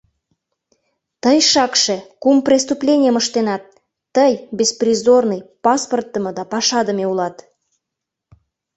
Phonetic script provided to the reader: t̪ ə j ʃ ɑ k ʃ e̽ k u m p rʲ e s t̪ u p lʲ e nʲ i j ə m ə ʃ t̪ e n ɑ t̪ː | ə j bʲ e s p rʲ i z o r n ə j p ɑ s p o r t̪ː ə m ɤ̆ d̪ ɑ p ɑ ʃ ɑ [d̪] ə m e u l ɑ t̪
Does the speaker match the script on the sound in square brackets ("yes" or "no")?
yes